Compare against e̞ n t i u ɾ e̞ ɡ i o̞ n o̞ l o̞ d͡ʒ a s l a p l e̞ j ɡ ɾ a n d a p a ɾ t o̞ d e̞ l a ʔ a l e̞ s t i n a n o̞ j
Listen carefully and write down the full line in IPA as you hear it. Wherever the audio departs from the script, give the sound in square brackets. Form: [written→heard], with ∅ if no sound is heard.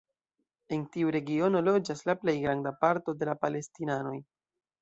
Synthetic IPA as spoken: e̞ n t i u ɾ e̞ ɡ i o̞ n o̞ l o̞ d͡ʒ a s l a p l e̞ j ɡ ɾ a n d a p a ɾ t o̞ d e̞ l a [ʔ→p] a l e̞ s t i n a n o̞ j